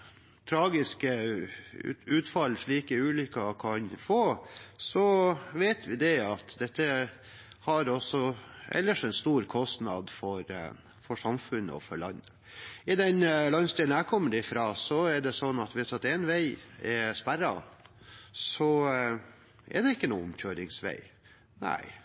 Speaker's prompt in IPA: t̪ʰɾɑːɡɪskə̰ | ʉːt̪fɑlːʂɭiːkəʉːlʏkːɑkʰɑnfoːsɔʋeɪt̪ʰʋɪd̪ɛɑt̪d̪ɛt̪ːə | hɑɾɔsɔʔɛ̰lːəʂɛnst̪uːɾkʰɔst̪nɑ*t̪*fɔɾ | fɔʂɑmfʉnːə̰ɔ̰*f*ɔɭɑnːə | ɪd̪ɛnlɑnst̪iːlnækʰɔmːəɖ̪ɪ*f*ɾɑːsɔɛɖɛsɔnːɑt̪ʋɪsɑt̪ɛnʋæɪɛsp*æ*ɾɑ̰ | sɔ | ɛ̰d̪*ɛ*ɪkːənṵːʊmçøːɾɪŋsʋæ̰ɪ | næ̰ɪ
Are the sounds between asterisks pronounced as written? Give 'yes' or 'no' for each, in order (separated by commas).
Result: no, yes, yes, yes, yes